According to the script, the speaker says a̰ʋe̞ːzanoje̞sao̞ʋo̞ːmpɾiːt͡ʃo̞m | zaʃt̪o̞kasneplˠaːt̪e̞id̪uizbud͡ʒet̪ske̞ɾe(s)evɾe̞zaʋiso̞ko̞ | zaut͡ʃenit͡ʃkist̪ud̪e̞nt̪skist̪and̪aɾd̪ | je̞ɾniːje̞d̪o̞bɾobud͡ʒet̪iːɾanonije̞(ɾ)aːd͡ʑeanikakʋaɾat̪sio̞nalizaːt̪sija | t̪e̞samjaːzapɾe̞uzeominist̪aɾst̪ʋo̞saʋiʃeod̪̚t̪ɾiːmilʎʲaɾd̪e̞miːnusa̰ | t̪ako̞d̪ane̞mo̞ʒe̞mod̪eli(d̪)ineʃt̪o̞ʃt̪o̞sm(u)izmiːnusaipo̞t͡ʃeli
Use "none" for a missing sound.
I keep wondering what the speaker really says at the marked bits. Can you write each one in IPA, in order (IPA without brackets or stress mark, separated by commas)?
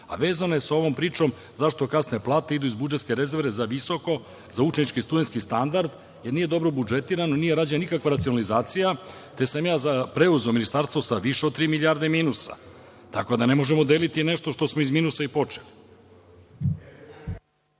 z, ɾ, t̪, o